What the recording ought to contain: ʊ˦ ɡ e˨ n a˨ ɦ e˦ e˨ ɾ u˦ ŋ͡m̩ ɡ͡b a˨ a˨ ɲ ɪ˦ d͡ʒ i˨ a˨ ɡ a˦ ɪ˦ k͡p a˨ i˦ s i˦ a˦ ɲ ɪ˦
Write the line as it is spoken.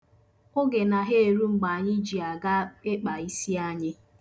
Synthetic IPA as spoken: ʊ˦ ɡ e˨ n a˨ ɦ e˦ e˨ ɾ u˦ ŋ͡m̩ ɡ͡b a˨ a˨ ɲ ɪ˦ d͡ʒ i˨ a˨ ɡ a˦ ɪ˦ k͡p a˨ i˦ s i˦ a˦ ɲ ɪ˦